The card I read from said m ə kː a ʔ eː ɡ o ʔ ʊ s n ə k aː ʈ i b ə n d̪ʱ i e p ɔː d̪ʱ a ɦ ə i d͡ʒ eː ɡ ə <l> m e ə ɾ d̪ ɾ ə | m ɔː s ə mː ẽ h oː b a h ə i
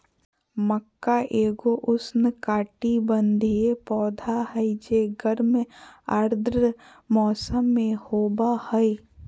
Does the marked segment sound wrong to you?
yes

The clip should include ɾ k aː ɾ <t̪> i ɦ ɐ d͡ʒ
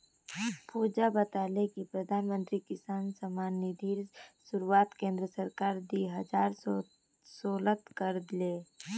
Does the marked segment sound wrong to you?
yes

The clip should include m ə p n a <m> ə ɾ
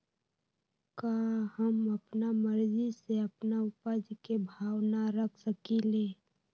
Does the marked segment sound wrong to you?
no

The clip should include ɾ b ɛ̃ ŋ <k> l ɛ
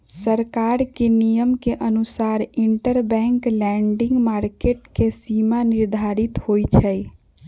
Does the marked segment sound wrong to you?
no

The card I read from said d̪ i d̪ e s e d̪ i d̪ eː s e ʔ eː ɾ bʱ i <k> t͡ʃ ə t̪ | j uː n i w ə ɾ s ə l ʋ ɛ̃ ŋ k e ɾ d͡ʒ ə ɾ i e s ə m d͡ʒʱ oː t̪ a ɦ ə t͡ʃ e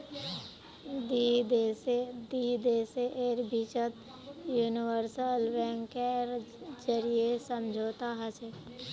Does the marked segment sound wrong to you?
yes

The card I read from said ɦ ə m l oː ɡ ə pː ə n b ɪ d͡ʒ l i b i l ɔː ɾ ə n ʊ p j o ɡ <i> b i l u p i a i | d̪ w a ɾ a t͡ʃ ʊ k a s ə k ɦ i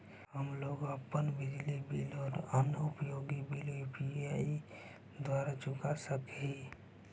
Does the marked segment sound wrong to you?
no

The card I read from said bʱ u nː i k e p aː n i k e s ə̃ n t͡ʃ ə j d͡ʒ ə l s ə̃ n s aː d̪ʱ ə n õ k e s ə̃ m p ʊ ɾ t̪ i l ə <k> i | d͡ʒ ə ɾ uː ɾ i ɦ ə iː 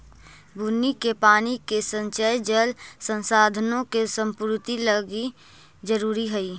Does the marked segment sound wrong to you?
yes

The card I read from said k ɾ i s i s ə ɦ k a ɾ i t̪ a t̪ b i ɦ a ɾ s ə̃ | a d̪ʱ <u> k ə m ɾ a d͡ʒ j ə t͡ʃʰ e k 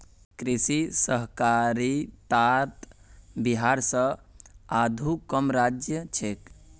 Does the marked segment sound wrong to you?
no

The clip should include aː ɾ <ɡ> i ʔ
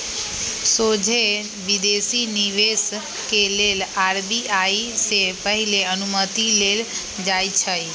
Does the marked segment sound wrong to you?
yes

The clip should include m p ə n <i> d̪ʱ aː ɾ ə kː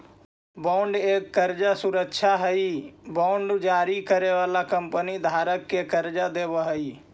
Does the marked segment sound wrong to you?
no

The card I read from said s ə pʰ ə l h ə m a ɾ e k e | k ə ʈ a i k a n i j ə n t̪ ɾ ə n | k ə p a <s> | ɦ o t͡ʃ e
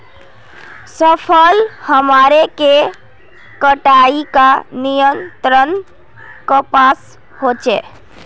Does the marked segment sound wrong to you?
no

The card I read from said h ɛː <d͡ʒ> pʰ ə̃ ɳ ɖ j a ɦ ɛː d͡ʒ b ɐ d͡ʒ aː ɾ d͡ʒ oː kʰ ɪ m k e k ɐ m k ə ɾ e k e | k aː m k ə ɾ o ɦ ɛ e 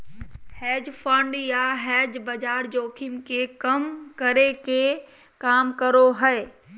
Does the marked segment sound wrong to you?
no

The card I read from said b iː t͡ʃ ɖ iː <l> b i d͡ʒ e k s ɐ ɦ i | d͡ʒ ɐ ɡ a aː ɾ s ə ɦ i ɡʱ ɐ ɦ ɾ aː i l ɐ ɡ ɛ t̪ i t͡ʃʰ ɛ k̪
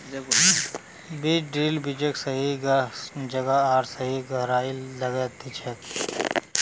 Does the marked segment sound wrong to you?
no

